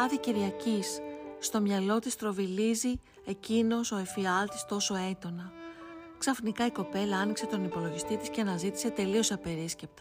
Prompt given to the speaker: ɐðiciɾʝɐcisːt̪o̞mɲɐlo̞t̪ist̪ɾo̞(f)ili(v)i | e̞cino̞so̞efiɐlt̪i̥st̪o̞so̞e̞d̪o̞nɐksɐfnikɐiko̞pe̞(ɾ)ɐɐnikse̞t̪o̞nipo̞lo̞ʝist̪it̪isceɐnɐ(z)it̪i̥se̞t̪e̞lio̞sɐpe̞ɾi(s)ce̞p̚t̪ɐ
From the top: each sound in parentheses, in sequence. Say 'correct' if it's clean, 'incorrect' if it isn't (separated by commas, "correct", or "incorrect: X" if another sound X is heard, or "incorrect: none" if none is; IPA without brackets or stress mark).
incorrect: v, incorrect: z, incorrect: l, correct, correct